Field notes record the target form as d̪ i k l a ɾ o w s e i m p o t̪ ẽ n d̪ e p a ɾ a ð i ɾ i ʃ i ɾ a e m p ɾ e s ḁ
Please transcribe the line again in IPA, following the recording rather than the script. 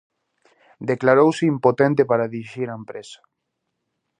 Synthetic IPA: d̪ e k l a ɾ o w s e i m p o t̪ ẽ n t̪ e p a ɾ a ð i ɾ i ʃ i ɾ a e m p ɾ e s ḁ